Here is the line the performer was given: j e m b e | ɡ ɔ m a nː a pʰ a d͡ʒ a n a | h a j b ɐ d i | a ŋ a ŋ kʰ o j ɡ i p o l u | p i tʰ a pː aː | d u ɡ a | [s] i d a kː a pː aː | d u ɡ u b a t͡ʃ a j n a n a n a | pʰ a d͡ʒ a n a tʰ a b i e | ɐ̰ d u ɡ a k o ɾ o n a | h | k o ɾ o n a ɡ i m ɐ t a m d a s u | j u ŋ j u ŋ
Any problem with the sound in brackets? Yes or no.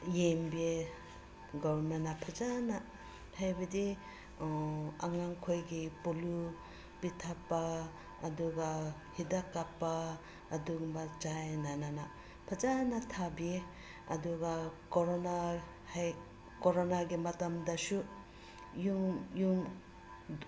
yes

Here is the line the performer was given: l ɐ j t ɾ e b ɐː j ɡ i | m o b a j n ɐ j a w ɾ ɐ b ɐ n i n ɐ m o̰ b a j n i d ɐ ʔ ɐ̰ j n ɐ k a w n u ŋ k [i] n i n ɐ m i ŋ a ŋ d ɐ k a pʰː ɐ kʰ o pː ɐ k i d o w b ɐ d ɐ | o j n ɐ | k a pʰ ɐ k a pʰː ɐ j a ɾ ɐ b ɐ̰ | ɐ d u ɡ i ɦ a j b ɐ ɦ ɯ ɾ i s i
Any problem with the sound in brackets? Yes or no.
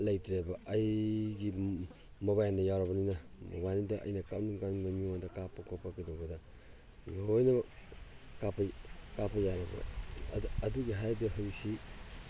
yes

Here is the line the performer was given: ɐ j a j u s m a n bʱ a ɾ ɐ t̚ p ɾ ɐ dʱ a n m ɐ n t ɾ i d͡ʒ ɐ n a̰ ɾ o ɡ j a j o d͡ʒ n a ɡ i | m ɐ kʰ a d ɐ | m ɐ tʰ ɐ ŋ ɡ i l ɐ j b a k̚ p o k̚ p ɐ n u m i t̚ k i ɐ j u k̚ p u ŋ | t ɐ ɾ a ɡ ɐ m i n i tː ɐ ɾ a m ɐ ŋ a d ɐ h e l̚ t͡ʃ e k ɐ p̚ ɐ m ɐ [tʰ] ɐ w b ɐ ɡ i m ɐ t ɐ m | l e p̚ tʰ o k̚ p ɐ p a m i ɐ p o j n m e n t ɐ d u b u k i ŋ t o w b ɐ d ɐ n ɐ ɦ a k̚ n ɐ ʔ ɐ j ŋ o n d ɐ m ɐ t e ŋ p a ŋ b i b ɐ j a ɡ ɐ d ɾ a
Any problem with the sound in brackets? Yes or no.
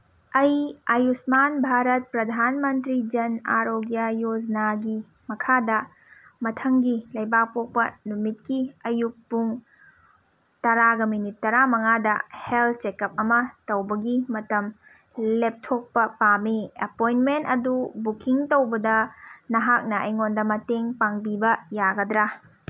yes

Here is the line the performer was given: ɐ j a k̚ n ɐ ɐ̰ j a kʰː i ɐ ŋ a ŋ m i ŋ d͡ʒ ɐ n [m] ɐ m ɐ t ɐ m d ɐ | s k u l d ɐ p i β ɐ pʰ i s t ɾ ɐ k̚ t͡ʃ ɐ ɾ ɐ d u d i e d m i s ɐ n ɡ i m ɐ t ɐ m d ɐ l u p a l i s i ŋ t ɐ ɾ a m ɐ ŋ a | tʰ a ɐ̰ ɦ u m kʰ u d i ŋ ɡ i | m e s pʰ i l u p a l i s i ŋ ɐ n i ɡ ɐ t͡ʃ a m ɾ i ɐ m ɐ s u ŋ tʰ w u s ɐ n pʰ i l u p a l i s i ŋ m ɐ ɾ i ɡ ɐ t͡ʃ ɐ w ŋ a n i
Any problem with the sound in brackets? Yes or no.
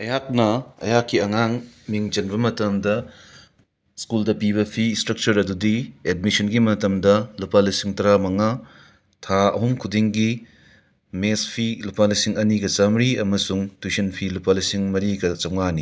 yes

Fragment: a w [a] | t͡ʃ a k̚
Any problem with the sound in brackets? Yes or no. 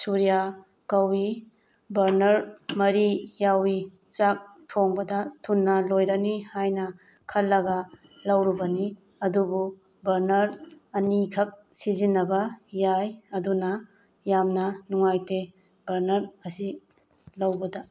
yes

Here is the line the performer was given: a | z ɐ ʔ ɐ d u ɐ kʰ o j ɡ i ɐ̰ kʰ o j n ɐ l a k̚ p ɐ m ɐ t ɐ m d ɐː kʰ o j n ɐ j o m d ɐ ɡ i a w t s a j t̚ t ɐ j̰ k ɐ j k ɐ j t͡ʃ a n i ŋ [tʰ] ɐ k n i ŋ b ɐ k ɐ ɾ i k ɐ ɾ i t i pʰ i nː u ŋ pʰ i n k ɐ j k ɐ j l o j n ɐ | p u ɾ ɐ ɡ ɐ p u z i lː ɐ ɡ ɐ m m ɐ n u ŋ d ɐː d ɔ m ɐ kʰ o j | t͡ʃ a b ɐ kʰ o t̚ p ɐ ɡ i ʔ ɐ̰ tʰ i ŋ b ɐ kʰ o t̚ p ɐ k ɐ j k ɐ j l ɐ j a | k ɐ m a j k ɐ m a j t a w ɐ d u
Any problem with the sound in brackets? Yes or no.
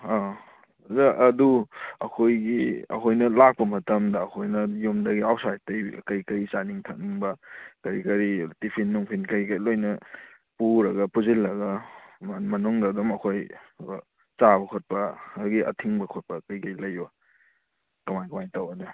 no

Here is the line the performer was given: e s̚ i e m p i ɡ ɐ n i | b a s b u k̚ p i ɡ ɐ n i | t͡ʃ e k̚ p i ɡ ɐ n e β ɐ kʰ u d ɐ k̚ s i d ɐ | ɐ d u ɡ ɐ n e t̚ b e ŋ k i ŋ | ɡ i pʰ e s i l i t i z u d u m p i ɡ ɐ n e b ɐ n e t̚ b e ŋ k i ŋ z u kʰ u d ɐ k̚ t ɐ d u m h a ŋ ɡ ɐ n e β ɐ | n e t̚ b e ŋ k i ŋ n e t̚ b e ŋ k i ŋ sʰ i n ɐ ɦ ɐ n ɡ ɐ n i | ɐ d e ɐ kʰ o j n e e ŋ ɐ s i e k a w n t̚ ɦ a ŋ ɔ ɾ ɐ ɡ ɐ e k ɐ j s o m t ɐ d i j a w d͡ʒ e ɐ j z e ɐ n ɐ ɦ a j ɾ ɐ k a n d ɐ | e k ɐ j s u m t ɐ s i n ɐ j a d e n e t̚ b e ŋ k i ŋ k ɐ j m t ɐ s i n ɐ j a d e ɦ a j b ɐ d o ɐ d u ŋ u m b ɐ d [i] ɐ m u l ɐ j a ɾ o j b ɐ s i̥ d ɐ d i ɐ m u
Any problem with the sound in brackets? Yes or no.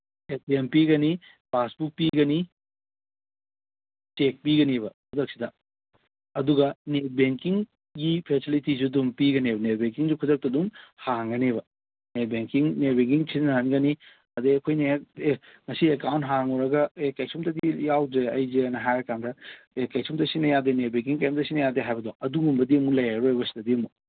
no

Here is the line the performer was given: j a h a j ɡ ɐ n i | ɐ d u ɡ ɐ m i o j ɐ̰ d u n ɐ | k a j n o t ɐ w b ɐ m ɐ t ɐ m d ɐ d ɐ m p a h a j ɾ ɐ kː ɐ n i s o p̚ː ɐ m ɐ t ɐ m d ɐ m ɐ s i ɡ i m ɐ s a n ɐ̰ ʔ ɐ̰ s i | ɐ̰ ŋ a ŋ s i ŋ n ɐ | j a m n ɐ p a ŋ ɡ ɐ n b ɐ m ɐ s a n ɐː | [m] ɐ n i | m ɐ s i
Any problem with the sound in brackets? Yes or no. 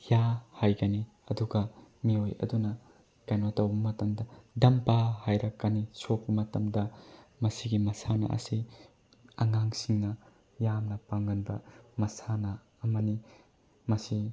no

